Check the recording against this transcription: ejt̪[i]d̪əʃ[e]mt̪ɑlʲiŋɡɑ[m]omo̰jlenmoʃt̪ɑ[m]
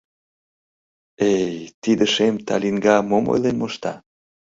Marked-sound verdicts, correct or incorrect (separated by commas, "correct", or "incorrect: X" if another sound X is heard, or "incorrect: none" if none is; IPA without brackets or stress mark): correct, correct, correct, incorrect: none